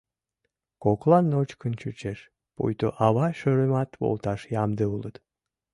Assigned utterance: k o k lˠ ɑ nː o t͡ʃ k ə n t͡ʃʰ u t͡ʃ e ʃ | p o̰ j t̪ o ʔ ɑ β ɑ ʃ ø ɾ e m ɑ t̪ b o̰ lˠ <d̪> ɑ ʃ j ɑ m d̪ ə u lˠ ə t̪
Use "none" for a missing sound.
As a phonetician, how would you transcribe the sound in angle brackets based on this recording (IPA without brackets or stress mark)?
t̪